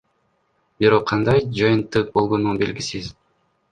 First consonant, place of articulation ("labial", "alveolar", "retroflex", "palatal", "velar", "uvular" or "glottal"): labial